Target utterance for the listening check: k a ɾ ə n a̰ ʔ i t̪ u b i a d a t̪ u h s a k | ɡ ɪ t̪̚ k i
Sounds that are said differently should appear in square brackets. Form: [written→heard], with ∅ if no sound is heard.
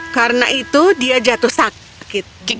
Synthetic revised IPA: k a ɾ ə n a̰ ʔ i t̪ u [b→d] i a [d→d͡ʒ] a t̪ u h s a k | [ɡ→k] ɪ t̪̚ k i